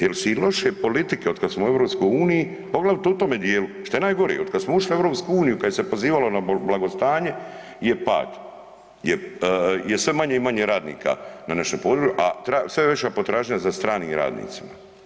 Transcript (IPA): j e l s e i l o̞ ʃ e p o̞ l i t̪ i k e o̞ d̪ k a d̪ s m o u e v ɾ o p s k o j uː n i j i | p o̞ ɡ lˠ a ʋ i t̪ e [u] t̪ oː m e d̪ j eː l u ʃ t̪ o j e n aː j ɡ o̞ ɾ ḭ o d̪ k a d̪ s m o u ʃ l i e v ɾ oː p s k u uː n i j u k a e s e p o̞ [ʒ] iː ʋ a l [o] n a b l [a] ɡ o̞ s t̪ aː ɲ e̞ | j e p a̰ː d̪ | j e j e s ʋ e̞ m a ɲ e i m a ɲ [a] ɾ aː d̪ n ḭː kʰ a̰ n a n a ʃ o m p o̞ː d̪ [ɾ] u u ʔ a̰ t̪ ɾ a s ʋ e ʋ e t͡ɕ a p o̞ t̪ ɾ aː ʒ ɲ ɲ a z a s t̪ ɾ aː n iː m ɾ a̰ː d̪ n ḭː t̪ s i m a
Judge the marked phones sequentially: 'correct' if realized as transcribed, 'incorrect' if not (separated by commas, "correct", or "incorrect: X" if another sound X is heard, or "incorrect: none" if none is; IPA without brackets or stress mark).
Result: correct, incorrect: z, correct, correct, incorrect: e, correct